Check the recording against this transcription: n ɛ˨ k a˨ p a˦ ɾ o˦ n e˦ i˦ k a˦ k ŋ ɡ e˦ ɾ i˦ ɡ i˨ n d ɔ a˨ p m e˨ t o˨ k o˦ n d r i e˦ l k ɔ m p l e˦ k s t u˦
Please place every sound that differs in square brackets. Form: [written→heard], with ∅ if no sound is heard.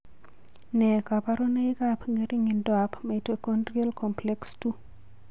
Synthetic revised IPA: n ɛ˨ k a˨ p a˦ ɾ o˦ n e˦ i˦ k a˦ [k→p] ŋ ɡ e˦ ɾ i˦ [ɡ→ŋ] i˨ n d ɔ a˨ p m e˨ t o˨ k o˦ n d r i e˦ l k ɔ m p l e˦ k s t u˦